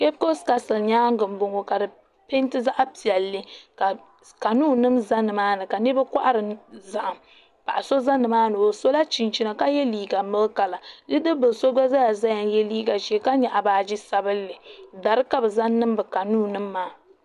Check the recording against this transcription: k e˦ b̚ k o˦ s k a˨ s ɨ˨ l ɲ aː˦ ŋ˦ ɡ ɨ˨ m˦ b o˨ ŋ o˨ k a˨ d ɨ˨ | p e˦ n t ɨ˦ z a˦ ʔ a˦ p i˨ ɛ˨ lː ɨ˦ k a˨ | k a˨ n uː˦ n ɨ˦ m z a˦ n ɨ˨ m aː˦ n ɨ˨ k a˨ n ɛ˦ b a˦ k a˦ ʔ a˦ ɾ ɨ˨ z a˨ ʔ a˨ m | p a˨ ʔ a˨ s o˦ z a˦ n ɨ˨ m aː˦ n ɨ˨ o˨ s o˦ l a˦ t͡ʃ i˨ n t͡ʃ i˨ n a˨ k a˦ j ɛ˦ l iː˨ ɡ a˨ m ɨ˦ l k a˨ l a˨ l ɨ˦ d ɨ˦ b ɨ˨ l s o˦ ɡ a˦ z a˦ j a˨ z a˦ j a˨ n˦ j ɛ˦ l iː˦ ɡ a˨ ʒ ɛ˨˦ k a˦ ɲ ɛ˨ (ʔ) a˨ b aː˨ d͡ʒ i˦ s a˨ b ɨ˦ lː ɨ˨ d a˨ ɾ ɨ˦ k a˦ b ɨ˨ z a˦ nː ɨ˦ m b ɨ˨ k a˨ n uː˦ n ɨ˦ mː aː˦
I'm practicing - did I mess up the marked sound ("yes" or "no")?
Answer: no